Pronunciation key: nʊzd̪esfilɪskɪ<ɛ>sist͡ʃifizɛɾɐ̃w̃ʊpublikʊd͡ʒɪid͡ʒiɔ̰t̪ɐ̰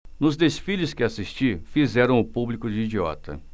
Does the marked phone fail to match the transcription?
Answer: yes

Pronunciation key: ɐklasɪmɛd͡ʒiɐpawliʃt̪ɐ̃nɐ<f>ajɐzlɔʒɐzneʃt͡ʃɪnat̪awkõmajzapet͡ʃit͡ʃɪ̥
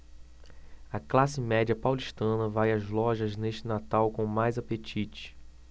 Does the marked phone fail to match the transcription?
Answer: yes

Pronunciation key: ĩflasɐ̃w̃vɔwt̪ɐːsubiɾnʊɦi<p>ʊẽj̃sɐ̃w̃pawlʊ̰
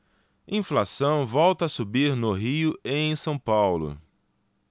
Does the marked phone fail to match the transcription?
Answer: yes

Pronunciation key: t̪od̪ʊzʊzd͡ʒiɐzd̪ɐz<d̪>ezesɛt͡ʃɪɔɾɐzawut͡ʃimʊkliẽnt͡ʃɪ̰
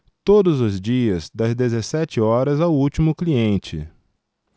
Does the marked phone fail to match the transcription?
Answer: no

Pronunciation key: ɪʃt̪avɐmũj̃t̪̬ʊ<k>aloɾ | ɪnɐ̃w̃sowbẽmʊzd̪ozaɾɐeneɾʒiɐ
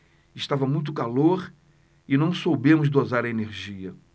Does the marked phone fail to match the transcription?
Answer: no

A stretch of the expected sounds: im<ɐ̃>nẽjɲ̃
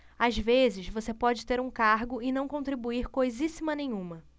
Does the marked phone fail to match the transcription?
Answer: yes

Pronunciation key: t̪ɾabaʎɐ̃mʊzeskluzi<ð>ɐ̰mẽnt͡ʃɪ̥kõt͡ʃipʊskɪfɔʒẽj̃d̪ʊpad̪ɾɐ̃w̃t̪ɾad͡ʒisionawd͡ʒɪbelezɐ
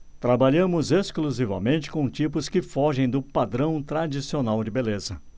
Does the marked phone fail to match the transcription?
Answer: yes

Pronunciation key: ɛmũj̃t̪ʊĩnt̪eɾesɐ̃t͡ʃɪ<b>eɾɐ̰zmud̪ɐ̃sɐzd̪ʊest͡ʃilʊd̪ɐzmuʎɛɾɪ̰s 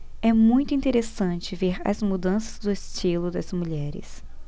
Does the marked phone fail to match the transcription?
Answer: yes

